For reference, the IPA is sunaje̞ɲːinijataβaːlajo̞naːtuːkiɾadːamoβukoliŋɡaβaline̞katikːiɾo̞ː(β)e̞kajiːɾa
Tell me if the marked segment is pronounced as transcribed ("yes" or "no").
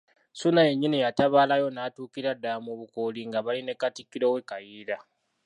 no